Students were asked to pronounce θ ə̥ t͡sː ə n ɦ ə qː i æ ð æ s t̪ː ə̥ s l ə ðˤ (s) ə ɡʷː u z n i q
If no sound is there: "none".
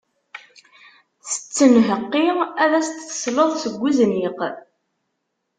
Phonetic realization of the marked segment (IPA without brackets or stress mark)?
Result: s